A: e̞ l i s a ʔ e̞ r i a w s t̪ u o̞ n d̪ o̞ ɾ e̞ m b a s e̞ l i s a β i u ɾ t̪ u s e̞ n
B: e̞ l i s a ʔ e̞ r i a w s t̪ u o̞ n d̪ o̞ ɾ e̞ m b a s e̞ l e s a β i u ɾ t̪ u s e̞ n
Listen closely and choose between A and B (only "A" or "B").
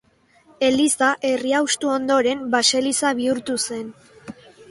A